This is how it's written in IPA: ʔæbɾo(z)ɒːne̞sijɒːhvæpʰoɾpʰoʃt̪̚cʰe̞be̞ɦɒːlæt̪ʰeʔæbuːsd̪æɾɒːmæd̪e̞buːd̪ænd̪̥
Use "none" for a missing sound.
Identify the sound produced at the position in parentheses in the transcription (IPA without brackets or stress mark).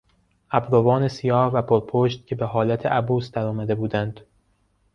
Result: v